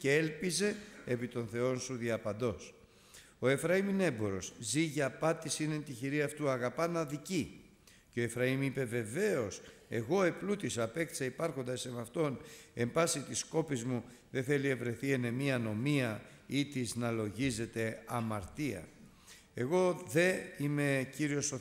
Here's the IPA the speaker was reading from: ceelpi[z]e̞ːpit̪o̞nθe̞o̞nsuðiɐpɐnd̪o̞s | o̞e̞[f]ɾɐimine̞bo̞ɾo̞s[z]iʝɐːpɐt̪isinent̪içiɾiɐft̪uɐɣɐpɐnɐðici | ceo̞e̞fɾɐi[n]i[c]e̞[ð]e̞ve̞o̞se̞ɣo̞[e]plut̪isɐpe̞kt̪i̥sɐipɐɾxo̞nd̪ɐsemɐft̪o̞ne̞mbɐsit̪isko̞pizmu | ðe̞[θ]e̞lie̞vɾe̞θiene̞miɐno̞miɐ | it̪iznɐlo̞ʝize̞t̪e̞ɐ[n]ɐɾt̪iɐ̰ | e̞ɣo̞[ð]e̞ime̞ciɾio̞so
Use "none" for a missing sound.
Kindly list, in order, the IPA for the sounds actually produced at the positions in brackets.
z, f, z, m, p, v, e, θ, m, ð

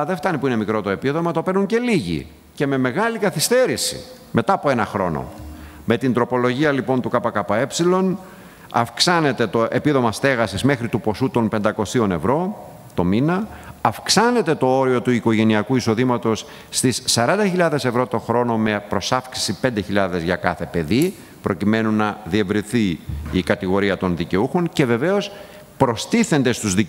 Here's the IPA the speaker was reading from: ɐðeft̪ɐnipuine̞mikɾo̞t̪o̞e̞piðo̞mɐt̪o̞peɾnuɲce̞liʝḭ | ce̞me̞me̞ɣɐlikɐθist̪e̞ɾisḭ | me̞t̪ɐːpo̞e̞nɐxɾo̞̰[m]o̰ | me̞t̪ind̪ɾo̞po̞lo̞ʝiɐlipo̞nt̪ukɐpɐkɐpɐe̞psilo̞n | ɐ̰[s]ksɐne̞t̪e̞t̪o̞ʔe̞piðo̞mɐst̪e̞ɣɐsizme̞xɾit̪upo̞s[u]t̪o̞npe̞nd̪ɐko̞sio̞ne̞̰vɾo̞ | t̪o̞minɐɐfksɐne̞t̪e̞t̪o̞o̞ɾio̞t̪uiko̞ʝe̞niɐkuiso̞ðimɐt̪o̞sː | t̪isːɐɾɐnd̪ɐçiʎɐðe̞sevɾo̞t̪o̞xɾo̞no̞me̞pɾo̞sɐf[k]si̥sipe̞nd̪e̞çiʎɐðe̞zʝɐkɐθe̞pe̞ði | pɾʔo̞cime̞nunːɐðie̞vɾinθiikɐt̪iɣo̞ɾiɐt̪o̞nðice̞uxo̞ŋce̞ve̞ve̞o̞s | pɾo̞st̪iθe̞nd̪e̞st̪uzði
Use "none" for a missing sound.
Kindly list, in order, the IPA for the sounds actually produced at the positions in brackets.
n, f, u, k

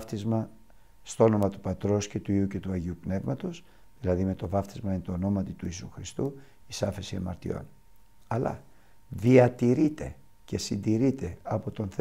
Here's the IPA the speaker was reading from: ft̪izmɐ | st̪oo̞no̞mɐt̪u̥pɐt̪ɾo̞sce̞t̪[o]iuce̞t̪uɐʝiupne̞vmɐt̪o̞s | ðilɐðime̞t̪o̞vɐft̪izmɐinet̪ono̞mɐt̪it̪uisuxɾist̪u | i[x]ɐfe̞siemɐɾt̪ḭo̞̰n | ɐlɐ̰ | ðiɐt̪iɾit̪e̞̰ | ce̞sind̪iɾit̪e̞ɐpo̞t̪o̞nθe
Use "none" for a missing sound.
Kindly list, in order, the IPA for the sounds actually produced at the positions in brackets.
u, s

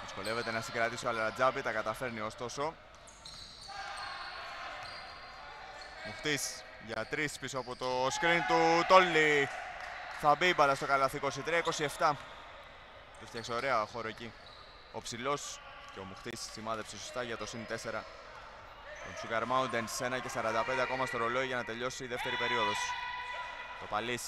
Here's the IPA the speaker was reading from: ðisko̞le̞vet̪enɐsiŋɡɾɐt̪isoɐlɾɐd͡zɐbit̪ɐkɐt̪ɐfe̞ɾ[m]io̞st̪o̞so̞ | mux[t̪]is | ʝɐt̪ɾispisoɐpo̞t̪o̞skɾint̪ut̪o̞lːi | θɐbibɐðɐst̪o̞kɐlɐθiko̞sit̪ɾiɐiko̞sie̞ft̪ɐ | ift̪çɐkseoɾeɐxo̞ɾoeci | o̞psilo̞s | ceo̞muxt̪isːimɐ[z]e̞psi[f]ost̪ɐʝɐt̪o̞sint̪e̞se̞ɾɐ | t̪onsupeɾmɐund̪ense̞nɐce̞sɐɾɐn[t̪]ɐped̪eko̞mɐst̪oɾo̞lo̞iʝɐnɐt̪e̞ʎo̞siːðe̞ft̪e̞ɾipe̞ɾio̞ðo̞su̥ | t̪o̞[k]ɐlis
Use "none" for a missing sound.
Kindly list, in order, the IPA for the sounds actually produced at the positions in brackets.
n, t̪, ð, s, d̪, p

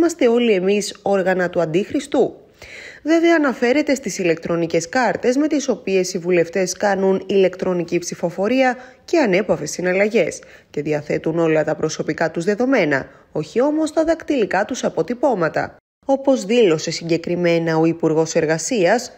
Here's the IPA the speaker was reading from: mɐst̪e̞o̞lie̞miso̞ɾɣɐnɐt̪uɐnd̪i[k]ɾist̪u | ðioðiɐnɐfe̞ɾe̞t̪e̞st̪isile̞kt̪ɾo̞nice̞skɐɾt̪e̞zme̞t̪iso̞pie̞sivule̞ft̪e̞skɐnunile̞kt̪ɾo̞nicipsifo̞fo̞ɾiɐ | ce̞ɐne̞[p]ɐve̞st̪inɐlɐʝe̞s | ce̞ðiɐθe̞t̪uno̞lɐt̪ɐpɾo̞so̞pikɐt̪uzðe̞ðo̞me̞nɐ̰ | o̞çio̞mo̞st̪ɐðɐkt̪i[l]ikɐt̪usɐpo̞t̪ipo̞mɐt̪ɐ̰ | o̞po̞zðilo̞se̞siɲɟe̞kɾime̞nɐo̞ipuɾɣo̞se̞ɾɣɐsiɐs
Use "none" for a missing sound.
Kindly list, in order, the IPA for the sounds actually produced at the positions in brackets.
x, p, l

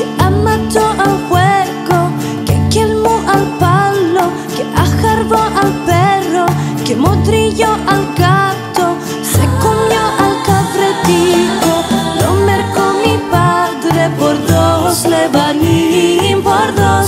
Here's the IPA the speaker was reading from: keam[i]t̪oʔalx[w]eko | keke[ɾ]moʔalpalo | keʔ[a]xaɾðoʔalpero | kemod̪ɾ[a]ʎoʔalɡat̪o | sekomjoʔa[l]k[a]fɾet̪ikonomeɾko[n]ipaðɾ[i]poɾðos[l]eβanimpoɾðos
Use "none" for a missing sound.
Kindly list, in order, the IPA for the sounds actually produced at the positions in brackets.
a, w, l, a, i, l, a, m, e, l

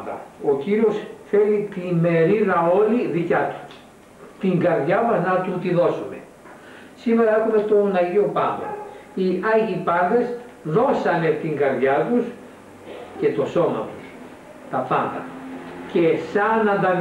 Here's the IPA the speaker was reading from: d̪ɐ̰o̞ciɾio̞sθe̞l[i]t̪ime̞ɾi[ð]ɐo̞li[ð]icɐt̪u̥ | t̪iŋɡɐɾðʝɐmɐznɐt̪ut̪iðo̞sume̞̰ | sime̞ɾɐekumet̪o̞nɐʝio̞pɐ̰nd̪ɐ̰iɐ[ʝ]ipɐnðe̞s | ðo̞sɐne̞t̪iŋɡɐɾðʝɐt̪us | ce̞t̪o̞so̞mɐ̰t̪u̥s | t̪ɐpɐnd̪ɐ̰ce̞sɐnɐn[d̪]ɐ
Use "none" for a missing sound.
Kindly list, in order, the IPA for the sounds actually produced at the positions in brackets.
i, ð, ð, ʝ, d̪

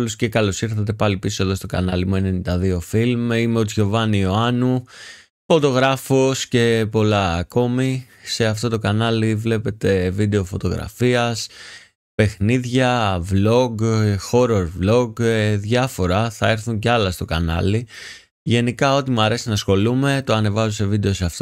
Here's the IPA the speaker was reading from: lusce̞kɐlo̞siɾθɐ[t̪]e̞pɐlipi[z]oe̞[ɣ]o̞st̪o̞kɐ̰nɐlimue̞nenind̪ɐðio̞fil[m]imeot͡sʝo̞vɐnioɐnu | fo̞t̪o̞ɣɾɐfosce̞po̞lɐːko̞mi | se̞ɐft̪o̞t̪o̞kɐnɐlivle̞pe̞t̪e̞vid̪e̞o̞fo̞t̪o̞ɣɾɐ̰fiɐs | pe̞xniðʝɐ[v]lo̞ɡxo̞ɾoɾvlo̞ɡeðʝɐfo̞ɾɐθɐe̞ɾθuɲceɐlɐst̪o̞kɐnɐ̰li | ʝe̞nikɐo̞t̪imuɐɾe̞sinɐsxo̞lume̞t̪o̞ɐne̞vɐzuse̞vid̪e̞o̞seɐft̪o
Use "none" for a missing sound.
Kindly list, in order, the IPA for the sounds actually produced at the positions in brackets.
t̪, s, ð, m, v

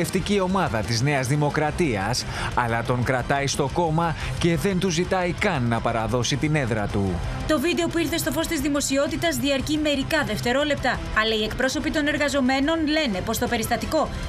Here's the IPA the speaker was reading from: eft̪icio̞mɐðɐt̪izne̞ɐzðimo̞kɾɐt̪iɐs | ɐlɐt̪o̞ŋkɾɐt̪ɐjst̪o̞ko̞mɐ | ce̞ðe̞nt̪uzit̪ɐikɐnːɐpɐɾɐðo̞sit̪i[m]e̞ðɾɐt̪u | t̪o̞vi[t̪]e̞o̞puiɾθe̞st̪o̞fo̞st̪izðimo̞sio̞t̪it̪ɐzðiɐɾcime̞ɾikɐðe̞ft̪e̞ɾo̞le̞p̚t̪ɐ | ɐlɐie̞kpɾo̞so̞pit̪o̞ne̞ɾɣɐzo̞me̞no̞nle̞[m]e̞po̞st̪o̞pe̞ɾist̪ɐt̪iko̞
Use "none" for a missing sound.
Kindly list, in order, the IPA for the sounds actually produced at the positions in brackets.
n, d̪, n

